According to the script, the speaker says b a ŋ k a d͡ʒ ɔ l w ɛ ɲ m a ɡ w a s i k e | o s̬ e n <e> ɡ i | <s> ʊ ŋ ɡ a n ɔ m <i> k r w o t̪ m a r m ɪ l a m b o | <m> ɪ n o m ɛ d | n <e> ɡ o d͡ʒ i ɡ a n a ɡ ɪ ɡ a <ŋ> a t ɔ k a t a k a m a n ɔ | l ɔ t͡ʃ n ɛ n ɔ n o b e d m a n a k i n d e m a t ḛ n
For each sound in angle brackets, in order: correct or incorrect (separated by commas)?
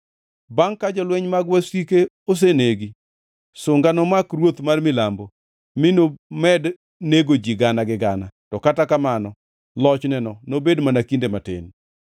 correct, correct, incorrect, correct, correct, incorrect